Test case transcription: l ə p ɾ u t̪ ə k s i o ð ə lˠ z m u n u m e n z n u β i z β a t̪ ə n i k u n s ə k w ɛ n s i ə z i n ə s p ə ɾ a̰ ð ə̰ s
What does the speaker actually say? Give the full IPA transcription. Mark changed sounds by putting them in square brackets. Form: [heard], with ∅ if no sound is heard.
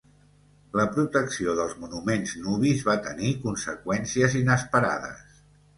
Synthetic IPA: l ə p ɾ u t̪ ə k s i o ð ə lˠ z m u n u m e n z n u β i z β a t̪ ə n i k u n s ə k w ɛ n s i ə z i n ə s p ə ɾ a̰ ð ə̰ s

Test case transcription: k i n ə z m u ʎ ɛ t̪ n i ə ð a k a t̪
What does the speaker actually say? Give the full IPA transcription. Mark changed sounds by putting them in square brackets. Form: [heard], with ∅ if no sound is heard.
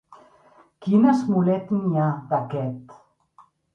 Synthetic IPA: k i n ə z m u [l] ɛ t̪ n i [a] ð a k [ɛ] t̪

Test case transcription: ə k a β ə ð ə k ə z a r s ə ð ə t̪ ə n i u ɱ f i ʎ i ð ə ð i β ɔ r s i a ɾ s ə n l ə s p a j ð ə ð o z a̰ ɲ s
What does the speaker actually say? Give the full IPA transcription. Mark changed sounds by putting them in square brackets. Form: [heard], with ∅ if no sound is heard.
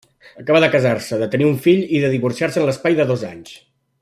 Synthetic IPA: ə k a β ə ð ə k ə z a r s ə ð ə t̪ ə n i u ɱ f i ʎ i ð ə ð i β [u] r s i a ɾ s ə n l ə s p a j ð ə ð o z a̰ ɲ s

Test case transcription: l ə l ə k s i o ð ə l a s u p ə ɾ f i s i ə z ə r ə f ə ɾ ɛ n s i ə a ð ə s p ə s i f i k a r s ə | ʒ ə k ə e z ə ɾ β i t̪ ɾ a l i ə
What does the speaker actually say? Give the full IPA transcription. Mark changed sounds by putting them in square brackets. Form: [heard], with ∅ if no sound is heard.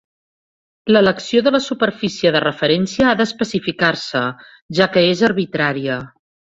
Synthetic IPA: l ə l ə k s i o ð ə l [ə] s u p ə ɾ f i s i ə [ð] ə r ə f ə ɾ ɛ n s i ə a ð ə s p ə s i f i k a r s ə | ʒ [a] k ə e z ə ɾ β i t̪ ɾ a [ɾ] i ə

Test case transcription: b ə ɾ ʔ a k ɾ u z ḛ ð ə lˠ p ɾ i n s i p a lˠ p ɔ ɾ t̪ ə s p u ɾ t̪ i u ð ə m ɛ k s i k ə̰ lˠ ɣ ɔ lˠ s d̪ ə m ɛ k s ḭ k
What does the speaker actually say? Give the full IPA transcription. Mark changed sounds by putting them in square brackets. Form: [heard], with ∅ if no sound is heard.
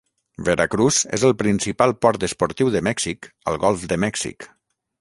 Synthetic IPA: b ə ɾ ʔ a k ɾ u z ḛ [z] ə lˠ p ɾ i n s i p a lˠ p ɔ ɾ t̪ ə s p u ɾ t̪ i [w] ð ə m ɛ k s i k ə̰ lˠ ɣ ɔ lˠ [f] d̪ ə m ɛ k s ḭ k

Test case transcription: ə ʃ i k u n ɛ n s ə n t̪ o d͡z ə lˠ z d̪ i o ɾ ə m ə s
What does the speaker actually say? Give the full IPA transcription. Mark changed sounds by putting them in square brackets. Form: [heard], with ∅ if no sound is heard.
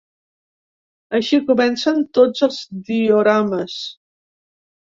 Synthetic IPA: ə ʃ i k u [m] ɛ n s ə n t̪ o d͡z ə lˠ z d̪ i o ɾ [a] m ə s

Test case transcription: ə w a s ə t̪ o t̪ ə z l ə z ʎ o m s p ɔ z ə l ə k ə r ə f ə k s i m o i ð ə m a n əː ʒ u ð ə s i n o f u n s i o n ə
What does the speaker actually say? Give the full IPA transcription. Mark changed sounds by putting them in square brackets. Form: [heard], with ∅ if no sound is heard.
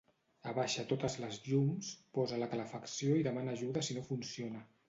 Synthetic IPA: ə [β] a [ʃ] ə t̪ o t̪ ə z l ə z ʎ [u] m s p ɔ z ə l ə k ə [l] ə f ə k s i [∅] o i ð ə m a n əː ʒ u ð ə s i n o f u n s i o n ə

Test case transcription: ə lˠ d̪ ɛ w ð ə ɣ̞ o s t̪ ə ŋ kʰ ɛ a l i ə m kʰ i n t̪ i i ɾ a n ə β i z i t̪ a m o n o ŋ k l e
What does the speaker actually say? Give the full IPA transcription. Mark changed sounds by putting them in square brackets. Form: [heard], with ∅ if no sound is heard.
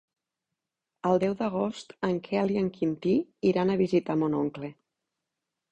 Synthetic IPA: ə lˠ d̪ ɛ w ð ə ɣ̞ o s t̪ ə ŋ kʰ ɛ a l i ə [ŋ] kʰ i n t̪ i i ɾ a n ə β i z i t̪ a m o n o ŋ k l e

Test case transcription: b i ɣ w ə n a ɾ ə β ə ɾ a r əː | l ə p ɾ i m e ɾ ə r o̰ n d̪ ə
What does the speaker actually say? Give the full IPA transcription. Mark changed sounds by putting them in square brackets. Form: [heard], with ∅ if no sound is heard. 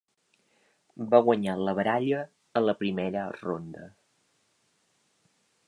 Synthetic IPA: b [a] ɣ w ə [ɲ] a [l] ə β ə ɾ a [ʎ] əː | l ə p ɾ i m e ɾ ə r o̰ n d̪ ə

